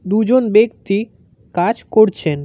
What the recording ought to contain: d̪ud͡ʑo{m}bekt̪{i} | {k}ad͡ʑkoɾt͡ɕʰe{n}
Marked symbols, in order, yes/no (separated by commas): no, yes, yes, yes